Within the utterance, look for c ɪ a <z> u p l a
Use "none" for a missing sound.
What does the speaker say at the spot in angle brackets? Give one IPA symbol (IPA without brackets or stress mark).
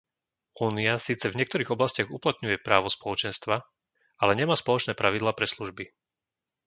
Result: ɣ